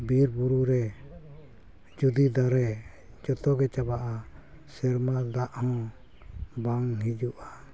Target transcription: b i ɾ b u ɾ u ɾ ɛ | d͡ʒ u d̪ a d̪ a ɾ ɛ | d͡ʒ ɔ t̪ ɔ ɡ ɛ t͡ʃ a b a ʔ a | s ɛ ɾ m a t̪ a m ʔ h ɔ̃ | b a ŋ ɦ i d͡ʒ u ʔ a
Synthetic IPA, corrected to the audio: b i ɾ b u ɾ u ɾ ɛ | d͡ʒ u d̪ i d̪ a ɾ ɛ | d͡ʒ ɔ t̪ ɔ ɡ ɛ t͡ʃ a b a ʔ a | s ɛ ɾ m a d̪ a ʔ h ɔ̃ | b a ŋ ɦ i d͡ʒ u ʔ a